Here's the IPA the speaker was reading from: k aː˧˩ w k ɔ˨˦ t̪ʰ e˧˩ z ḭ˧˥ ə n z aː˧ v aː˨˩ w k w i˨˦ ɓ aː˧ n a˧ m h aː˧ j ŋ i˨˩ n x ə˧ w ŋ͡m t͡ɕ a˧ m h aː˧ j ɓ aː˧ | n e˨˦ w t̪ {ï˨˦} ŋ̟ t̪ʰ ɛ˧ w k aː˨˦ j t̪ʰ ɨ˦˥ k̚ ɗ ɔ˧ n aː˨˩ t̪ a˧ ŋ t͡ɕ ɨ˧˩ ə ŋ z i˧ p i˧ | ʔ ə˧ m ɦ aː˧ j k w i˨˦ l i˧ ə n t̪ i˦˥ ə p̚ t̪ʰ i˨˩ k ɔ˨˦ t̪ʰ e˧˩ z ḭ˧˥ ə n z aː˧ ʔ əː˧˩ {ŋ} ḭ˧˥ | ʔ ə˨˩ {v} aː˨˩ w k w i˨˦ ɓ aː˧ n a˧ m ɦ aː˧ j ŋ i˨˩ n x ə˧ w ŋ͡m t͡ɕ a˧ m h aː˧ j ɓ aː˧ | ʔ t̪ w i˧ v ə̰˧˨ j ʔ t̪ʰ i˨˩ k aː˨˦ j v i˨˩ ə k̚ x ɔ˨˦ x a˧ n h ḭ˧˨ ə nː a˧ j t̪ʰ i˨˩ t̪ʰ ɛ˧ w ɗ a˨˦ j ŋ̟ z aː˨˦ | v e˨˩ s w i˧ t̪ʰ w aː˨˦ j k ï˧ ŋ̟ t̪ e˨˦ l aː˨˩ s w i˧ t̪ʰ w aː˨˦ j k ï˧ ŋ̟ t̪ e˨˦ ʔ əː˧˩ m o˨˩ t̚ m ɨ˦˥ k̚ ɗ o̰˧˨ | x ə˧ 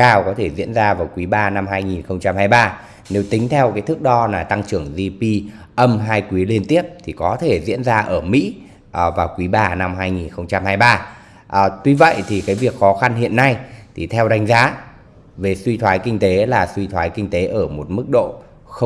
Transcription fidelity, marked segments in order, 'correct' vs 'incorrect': correct, incorrect: m, correct

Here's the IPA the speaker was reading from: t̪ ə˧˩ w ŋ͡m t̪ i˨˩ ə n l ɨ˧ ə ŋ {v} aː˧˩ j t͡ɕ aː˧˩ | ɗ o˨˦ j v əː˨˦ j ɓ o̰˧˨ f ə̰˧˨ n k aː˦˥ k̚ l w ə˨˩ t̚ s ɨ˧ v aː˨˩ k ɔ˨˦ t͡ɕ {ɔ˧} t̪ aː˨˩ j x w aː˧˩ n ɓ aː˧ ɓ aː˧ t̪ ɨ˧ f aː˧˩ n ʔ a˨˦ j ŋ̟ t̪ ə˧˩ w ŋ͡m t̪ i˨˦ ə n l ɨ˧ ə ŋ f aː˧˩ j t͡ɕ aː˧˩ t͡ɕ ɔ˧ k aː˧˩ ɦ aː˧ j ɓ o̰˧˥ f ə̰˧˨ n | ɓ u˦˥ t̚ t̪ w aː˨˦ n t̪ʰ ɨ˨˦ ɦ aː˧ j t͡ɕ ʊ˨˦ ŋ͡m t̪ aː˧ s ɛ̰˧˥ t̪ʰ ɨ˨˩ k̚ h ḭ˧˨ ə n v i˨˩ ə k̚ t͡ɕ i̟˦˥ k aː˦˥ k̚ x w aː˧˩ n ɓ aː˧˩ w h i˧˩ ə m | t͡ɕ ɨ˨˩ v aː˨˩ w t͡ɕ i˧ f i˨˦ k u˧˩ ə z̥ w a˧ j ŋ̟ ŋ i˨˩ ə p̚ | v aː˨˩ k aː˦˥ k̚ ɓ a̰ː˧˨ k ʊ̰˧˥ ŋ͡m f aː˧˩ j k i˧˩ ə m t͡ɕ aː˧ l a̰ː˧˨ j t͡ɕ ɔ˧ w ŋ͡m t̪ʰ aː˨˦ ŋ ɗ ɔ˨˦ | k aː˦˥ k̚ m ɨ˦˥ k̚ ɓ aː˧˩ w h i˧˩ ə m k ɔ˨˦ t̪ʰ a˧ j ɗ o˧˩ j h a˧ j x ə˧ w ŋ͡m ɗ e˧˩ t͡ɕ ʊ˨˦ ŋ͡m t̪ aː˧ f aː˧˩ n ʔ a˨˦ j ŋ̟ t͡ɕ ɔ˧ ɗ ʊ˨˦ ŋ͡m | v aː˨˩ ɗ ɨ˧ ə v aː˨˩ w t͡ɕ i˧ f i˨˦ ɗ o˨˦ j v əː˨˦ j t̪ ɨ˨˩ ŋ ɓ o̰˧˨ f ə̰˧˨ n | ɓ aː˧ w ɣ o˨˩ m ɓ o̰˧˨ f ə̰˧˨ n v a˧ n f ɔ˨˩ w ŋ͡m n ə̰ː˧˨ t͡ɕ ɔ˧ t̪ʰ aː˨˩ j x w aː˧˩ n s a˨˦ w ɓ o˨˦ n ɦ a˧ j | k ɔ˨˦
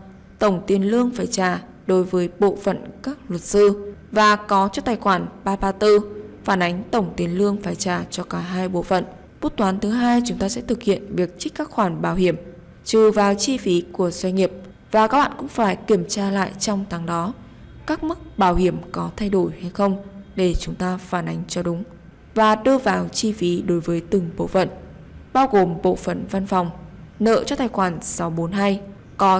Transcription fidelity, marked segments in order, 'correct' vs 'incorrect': incorrect: f, correct

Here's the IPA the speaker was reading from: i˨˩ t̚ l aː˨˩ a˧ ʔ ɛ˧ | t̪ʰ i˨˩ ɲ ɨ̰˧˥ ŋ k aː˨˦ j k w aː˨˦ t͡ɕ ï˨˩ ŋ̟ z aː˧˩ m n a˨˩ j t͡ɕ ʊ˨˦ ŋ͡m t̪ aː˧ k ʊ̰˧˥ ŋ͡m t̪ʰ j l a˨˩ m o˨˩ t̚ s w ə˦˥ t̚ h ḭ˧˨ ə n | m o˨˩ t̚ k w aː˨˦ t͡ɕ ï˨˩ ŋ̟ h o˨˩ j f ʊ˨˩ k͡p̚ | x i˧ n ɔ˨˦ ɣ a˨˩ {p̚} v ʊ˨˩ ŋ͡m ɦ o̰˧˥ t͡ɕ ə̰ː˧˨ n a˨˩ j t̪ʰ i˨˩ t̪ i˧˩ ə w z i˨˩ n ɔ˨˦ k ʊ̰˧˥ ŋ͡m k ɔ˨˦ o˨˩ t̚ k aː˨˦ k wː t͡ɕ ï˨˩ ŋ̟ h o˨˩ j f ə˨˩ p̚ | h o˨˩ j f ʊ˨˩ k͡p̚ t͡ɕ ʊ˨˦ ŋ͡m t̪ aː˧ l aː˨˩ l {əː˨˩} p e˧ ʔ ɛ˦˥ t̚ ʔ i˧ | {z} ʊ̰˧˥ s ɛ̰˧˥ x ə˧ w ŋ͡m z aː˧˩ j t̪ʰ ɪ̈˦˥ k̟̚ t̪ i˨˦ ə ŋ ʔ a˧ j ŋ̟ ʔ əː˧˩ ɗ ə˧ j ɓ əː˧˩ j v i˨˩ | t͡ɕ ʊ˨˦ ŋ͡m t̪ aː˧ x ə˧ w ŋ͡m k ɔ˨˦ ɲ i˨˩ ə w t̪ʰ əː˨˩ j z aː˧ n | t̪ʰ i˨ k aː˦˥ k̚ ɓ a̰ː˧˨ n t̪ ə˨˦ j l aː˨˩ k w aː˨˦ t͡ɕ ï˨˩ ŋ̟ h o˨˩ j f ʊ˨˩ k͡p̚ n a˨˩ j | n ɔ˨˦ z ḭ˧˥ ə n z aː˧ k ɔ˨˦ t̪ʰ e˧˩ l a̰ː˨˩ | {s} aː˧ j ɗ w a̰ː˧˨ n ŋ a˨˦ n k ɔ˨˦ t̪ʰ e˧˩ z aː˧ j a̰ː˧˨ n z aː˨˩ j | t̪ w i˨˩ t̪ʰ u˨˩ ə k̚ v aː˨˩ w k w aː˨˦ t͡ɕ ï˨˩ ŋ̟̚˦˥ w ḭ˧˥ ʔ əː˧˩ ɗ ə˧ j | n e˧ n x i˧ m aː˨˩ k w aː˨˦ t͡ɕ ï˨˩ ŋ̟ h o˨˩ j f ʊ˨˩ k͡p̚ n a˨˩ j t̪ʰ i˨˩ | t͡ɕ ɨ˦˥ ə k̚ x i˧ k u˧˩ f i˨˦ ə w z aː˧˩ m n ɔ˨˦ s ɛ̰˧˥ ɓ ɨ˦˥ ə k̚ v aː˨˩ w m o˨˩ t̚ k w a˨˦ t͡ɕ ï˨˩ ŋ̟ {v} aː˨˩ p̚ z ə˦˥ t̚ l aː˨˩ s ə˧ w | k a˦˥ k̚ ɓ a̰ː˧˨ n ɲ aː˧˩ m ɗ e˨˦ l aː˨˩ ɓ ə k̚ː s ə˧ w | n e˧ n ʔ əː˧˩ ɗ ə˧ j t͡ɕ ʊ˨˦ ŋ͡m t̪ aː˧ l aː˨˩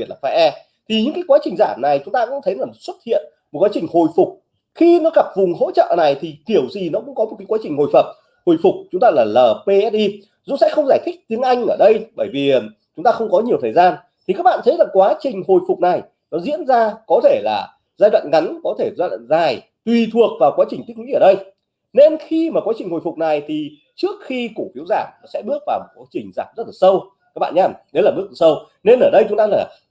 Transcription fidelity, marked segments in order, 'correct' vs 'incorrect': correct, correct, correct, incorrect: z, incorrect: z

